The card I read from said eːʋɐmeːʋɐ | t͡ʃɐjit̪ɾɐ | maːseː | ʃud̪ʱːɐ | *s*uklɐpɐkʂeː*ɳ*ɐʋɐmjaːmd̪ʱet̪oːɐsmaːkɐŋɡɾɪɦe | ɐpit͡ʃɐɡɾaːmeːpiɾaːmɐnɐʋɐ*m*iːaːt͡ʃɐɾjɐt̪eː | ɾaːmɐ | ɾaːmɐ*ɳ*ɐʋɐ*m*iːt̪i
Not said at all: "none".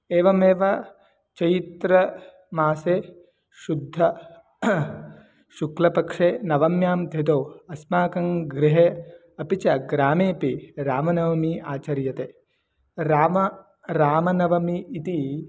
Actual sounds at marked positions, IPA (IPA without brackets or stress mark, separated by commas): ʃ, n, m, n, m